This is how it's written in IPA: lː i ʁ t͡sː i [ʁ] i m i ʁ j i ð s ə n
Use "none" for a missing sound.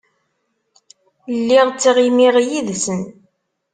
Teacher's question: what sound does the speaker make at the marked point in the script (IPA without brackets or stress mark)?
ʁ